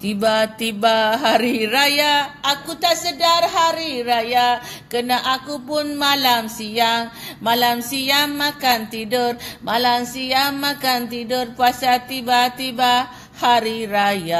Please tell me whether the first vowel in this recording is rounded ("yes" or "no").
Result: no